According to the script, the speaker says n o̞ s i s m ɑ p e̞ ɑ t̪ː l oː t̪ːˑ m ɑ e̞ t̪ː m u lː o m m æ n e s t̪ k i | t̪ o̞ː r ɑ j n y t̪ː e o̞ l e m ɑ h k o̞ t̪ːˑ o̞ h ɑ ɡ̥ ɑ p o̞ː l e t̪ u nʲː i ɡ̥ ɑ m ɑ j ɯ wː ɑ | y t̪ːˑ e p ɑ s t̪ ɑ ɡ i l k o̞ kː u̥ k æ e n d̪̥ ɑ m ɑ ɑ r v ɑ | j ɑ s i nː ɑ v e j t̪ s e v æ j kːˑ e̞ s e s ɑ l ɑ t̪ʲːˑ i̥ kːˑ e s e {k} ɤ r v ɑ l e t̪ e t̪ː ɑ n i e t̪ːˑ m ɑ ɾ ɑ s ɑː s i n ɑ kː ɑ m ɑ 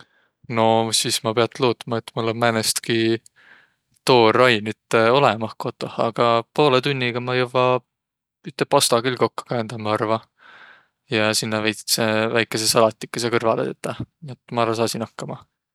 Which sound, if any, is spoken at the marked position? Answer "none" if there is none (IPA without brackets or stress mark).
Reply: k